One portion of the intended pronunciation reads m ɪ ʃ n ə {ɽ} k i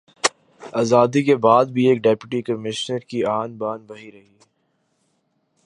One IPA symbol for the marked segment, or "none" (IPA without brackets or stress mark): ɾ